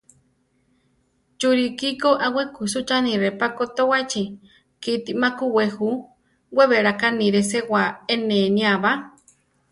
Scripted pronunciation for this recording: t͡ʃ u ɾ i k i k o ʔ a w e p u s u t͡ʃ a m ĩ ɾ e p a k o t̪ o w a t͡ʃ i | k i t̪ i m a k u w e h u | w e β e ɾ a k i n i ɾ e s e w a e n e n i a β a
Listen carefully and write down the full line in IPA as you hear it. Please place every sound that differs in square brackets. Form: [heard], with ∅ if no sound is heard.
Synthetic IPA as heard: t͡ʃ u ɾ i k i k o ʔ a w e [k] u s u t͡ʃ a [n] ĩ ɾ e p a k o t̪ o w a t͡ʃ i | k i t̪ i m a k u w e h u | w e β e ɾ a k [a] n i ɾ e s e w a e n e n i a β a